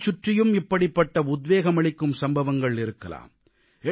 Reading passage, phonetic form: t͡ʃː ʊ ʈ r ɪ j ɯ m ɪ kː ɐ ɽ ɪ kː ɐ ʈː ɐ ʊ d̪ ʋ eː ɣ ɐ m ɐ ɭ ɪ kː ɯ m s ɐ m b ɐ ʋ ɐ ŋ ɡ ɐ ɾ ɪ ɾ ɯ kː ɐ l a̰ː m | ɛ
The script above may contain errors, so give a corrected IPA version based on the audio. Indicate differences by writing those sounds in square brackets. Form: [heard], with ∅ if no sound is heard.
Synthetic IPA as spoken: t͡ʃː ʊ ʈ r ɪ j ɯ m ɪ [pː] ɐ ɽ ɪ [pː] ɐ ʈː ɐ ʊ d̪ ʋ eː ɣ ɐ m ɐ ɭ ɪ kː ɯ m s ɐ m b ɐ ʋ ɐ ŋ ɡ ɐ [ɭ] ɪ ɾ ɯ kː ɐ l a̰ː m | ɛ